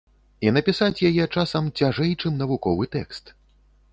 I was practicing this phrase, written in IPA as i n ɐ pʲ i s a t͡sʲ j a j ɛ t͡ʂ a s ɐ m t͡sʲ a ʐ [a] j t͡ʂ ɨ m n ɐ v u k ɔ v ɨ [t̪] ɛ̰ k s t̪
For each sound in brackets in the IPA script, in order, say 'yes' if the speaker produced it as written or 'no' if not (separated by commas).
no, yes